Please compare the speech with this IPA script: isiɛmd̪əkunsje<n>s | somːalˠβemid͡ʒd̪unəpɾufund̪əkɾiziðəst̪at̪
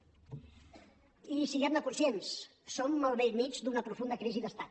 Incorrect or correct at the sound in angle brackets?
correct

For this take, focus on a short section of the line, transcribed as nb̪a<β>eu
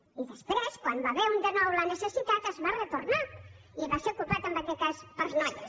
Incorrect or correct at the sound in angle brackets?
correct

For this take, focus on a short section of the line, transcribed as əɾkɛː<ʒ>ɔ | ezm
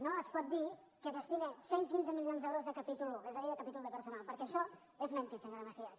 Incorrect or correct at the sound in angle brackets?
incorrect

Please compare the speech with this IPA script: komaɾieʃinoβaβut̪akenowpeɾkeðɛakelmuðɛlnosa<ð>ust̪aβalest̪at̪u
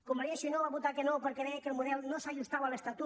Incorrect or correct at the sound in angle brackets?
incorrect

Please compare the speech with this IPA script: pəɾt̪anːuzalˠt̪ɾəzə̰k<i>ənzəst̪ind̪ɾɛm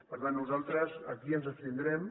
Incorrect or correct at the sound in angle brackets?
correct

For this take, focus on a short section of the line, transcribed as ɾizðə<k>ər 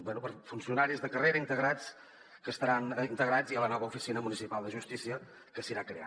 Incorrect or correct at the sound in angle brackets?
correct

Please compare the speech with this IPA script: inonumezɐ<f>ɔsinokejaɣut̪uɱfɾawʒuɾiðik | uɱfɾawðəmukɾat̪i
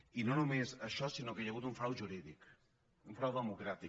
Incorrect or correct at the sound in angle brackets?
incorrect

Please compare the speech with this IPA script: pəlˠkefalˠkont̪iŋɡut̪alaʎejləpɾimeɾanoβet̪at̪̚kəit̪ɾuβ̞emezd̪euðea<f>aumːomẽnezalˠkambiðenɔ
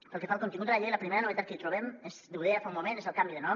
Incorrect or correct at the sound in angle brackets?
correct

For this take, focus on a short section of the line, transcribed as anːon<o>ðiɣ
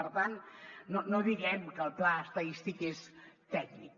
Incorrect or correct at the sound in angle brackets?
correct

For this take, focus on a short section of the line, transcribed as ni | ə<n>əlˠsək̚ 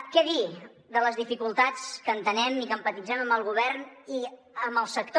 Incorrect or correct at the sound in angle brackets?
incorrect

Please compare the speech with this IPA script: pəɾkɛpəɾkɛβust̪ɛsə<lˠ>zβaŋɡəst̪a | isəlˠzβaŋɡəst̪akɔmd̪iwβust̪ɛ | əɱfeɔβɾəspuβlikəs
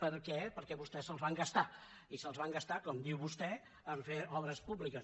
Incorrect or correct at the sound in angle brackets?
correct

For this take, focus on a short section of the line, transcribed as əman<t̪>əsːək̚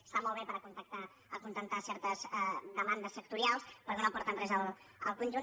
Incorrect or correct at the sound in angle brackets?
incorrect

